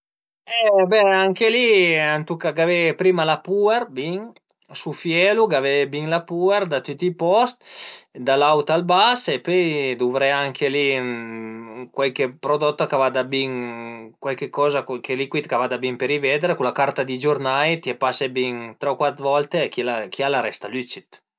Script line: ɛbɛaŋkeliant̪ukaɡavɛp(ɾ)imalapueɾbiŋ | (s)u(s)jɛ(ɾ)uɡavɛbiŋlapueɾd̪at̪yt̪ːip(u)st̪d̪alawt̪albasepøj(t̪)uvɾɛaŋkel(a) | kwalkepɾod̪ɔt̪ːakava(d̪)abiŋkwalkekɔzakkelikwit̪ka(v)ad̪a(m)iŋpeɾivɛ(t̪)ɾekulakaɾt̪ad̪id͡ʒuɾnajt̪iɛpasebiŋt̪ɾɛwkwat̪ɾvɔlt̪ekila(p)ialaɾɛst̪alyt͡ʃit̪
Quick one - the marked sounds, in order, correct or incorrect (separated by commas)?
correct, correct, incorrect, incorrect, incorrect, incorrect, incorrect, correct, correct, incorrect, incorrect, incorrect